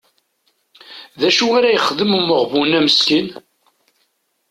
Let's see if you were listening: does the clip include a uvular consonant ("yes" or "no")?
yes